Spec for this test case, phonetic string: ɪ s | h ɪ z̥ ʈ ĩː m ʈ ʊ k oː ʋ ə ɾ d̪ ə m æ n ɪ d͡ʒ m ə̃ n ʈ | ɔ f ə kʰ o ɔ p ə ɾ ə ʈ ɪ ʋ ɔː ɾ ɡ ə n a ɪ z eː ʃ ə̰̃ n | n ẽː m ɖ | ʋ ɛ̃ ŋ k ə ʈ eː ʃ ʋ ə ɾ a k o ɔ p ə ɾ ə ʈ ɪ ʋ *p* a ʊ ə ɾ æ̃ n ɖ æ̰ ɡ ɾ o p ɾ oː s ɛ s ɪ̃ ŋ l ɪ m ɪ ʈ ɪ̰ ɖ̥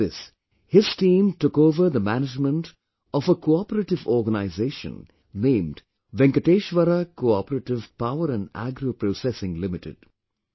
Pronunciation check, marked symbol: correct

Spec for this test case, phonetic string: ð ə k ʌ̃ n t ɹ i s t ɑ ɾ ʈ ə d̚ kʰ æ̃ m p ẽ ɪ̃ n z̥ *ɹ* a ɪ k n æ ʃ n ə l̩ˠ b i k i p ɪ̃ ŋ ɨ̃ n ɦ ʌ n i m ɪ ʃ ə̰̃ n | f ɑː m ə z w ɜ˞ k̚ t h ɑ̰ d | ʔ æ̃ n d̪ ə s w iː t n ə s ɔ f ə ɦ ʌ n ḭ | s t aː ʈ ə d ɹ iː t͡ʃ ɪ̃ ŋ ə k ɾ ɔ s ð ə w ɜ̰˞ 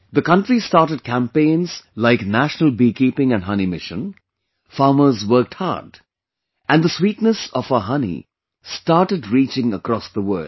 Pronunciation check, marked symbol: incorrect: l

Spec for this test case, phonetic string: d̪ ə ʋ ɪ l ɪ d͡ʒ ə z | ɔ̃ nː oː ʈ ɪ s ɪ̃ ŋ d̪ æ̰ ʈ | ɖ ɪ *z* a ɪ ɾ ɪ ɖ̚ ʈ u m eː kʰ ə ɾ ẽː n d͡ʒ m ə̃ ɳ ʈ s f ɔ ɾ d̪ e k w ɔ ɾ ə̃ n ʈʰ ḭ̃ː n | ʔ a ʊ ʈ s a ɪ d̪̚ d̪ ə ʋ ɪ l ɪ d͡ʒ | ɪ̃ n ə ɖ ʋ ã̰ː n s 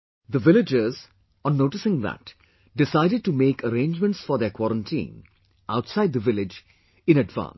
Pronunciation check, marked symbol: incorrect: s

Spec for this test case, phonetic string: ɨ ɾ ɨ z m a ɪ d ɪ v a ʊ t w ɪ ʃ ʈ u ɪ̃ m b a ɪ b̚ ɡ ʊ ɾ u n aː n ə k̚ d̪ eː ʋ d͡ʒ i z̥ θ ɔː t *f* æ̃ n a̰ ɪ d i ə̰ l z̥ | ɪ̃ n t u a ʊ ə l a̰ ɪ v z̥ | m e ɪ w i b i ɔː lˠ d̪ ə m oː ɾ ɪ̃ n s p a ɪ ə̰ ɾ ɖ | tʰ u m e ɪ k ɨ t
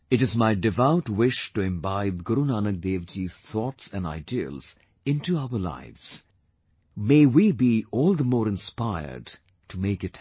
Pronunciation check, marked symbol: incorrect: s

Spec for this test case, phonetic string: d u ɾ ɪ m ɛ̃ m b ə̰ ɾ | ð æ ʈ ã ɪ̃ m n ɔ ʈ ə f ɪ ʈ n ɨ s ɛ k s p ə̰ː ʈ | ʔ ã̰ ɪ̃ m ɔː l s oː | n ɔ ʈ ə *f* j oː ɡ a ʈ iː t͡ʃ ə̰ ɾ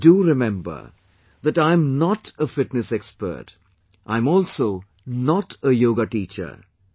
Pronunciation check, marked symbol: incorrect: none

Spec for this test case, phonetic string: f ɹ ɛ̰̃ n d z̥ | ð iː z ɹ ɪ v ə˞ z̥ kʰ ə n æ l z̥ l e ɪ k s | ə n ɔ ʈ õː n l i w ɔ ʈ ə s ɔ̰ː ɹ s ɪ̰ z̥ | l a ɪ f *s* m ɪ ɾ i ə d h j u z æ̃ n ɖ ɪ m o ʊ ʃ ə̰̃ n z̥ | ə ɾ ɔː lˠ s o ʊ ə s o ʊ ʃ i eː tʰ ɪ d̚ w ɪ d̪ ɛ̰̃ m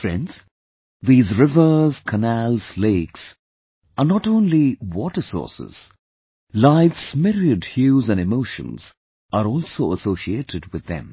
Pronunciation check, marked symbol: correct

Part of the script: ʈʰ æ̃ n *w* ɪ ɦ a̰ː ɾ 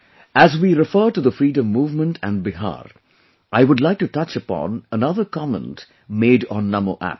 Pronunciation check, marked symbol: incorrect: b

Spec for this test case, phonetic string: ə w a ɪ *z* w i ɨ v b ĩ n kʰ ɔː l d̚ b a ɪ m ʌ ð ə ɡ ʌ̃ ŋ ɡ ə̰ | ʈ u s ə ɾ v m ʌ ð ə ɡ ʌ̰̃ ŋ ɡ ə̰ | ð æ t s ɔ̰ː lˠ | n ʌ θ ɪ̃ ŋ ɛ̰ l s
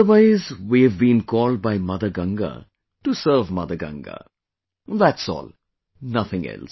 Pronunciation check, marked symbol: correct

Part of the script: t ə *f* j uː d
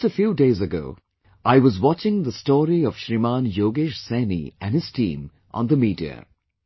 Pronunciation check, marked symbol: correct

